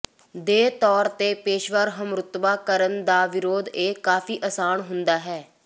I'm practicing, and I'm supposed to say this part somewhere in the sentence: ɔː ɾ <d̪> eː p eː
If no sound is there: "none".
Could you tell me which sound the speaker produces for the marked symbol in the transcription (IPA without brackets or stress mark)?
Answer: t̪